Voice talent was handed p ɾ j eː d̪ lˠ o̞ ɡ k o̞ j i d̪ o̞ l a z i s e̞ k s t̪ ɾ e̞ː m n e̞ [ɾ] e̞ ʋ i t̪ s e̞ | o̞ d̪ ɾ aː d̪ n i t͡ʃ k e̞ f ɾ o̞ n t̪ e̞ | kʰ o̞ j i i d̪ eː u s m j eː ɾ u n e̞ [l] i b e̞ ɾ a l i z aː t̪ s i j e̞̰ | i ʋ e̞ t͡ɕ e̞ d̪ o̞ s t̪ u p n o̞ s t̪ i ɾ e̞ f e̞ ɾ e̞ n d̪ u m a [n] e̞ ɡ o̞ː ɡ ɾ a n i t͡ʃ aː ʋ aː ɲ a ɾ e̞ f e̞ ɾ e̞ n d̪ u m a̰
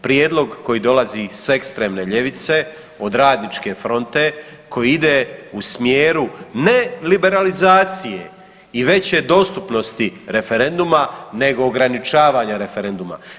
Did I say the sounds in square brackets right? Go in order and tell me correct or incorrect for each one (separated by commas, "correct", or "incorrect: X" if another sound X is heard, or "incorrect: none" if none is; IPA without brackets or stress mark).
incorrect: ʎ, correct, correct